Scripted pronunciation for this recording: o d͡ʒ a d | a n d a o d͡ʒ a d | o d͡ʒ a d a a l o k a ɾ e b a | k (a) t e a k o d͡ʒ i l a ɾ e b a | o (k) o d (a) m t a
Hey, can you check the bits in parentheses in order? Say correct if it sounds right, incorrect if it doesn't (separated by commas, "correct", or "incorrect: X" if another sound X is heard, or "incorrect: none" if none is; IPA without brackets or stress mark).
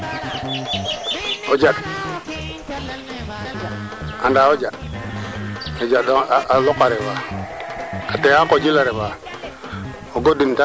correct, incorrect: ɡ, incorrect: i